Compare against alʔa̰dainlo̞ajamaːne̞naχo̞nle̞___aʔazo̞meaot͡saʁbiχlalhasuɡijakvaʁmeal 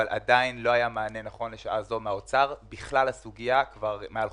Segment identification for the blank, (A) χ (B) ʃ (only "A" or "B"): B